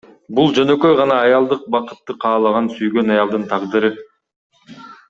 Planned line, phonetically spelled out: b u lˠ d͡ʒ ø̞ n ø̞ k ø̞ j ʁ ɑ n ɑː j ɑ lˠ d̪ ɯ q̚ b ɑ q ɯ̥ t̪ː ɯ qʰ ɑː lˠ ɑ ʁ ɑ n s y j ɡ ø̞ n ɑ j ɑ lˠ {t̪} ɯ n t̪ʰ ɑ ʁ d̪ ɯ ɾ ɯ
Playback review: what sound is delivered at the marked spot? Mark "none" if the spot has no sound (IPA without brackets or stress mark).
d̪